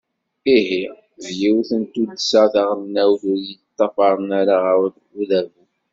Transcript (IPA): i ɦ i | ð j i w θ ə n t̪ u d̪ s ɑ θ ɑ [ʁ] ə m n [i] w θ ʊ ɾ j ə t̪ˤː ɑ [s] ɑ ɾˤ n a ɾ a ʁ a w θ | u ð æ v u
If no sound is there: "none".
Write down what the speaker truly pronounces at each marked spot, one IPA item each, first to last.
ʁ, æ, f

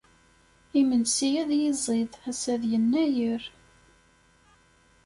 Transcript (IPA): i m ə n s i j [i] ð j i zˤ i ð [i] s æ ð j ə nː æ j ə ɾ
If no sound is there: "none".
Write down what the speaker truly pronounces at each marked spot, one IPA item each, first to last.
æ, æ

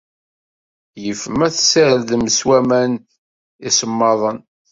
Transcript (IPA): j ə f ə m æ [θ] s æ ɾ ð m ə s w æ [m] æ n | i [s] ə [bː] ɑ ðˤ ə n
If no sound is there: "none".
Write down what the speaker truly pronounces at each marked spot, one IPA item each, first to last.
θ, m, s, mː

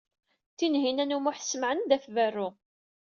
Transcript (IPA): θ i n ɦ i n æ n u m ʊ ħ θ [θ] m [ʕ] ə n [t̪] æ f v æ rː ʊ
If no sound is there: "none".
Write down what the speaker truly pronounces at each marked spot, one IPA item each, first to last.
s, ʕ, d̪

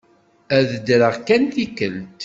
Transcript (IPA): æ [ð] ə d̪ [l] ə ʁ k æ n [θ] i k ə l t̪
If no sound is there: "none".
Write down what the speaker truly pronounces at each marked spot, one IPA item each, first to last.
ð, ɾ, θ

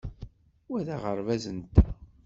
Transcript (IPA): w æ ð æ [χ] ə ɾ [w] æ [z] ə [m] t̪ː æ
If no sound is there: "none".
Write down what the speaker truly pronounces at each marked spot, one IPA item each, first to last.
ʁ, v, z, n

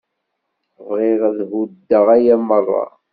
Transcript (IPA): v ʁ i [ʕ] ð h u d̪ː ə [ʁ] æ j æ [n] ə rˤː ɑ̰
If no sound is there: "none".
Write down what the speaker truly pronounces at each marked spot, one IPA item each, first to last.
ʁ, ʁ, m

